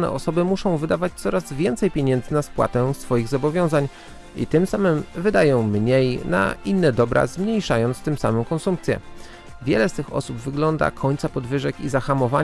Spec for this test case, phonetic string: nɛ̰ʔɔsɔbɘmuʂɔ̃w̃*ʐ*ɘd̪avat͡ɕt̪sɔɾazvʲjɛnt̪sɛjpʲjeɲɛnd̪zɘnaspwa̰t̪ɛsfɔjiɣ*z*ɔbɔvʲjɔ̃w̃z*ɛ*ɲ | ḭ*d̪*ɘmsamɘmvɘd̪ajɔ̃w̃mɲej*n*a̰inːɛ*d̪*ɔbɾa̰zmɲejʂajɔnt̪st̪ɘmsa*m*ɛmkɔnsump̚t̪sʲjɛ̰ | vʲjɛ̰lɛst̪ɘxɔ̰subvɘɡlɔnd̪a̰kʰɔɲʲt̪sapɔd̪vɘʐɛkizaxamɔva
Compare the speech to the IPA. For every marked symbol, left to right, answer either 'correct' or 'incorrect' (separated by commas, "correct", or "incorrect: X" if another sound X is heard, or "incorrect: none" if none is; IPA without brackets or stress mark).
incorrect: v, correct, incorrect: a, incorrect: t̪, correct, correct, correct